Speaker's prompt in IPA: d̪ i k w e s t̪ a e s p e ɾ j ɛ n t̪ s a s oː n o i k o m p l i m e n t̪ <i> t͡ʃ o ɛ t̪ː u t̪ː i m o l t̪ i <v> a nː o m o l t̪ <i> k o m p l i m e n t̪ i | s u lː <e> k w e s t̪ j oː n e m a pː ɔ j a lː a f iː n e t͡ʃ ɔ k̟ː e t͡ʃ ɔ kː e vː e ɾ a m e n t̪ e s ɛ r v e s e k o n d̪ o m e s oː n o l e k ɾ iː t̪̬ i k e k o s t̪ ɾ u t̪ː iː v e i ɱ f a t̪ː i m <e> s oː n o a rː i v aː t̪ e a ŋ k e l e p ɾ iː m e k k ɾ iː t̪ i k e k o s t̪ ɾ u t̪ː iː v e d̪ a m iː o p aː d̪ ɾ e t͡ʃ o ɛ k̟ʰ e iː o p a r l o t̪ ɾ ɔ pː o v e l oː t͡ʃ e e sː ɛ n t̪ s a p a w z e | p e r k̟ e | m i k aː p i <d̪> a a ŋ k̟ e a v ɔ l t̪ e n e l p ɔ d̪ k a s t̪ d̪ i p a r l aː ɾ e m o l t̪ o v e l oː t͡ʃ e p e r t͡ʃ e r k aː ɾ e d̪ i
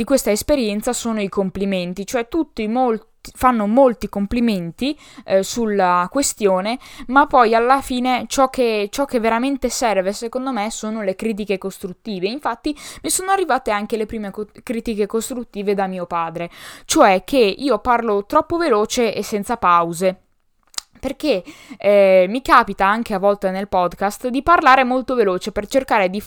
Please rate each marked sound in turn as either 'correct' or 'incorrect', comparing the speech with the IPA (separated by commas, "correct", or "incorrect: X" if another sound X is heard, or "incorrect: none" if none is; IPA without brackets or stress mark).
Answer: correct, incorrect: f, correct, incorrect: a, incorrect: i, incorrect: t̪